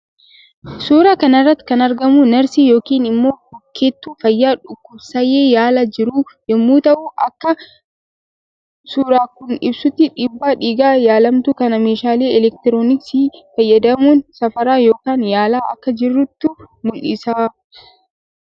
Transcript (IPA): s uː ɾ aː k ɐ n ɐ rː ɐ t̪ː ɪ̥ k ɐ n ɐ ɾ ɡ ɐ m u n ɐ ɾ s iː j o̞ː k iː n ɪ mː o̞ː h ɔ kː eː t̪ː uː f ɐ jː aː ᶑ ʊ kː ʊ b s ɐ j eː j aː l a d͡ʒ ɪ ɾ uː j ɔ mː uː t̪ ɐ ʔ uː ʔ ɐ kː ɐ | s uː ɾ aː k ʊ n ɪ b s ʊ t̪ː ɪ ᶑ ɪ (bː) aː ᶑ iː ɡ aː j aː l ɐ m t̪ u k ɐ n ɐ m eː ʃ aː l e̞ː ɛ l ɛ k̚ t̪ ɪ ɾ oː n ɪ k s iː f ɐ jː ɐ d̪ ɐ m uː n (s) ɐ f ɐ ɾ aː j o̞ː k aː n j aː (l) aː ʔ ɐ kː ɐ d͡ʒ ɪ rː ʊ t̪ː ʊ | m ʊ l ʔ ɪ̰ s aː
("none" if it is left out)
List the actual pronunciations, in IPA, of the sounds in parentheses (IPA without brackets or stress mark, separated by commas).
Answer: bː, s, l